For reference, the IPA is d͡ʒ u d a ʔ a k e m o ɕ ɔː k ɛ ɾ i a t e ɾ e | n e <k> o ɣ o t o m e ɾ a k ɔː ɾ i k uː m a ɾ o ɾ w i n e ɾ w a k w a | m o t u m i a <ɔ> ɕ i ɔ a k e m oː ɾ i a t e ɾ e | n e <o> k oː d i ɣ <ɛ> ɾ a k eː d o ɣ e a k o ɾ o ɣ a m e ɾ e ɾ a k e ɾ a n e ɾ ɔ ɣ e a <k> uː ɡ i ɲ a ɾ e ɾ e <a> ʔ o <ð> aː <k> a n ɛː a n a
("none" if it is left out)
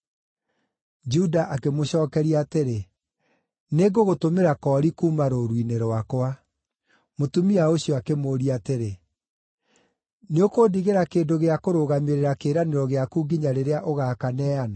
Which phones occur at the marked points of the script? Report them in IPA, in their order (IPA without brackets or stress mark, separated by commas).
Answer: ɡ, o, o, e, k, a, ɣ, k